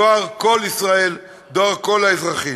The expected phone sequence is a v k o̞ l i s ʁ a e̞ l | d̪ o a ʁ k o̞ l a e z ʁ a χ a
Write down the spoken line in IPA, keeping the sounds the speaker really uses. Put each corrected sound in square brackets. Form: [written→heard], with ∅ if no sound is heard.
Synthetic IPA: a [v→ʁ] k o̞ l i s ʁ a e̞ l | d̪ o a ʁ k o̞ l a e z ʁ a χ [a→i]